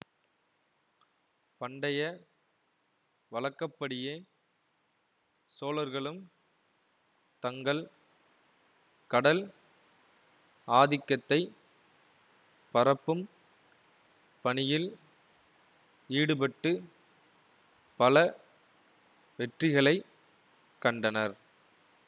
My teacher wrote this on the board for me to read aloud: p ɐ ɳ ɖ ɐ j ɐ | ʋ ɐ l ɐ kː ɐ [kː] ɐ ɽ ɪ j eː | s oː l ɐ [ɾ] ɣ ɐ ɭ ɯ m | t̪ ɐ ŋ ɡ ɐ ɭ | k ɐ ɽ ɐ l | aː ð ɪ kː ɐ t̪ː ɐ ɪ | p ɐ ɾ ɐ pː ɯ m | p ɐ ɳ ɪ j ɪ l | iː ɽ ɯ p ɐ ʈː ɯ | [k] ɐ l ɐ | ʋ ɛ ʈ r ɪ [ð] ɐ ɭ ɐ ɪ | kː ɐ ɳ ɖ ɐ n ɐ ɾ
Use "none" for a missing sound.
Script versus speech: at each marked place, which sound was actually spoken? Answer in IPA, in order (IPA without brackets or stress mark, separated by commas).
pː, ɾ, p, ɣ